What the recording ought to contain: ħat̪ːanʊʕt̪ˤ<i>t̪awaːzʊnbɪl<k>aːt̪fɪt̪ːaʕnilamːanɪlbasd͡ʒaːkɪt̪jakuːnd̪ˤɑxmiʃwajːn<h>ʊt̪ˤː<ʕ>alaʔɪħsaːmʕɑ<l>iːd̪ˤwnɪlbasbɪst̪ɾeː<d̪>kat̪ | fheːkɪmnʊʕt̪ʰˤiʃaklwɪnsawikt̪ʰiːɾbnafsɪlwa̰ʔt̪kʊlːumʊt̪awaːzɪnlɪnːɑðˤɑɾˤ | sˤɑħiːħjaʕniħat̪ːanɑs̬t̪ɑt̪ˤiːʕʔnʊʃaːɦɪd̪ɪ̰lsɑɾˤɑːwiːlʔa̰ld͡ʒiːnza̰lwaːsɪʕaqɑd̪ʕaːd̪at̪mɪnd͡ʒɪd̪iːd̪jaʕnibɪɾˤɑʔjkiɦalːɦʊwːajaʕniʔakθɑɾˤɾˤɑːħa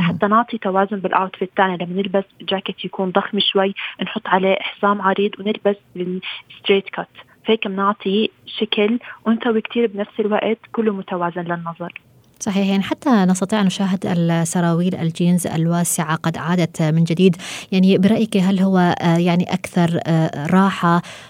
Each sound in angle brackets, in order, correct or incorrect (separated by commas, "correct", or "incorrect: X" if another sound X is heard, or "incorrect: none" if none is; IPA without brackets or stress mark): correct, incorrect: ʔ, incorrect: ħ, correct, incorrect: ɾ, incorrect: t̪